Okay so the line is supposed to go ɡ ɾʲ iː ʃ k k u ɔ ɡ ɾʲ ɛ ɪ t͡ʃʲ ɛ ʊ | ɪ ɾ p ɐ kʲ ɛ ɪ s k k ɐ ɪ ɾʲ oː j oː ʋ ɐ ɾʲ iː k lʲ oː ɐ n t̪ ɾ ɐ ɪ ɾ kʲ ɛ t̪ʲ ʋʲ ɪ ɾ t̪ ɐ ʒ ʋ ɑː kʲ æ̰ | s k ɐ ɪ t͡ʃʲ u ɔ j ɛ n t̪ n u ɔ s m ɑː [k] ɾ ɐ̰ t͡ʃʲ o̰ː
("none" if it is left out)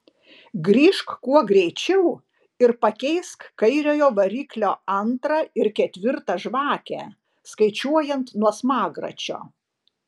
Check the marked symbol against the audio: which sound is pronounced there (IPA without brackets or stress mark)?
ɡ